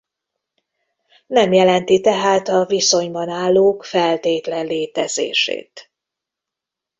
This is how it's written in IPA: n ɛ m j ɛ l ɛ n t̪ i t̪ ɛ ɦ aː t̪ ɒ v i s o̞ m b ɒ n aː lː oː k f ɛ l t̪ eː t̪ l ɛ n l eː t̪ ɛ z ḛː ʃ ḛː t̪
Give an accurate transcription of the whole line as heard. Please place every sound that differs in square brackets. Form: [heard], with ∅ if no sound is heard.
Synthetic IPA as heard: n ɛ m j ɛ l ɛ n t̪ i t̪ ɛ ɦ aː t̪ ɒ v i s o̞ [ɲ] b ɒ n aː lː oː k f ɛ l t̪ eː t̪ l ɛ n l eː t̪ ɛ z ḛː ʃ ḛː t̪